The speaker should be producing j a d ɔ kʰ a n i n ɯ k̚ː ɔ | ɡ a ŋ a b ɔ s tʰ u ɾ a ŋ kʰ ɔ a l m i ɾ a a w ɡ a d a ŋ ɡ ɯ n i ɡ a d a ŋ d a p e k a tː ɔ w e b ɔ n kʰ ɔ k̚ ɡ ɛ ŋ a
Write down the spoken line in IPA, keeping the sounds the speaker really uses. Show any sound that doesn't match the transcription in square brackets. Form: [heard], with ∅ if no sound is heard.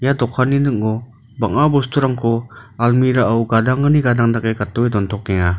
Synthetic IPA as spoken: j a d ɔ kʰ a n i n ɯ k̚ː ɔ | [b] a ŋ a b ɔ s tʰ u ɾ a ŋ kʰ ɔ a l m i ɾ a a w ɡ a d a ŋ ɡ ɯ n i ɡ a d a ŋ d a [k] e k a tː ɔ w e [d] ɔ n [tʰ] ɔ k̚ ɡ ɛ ŋ a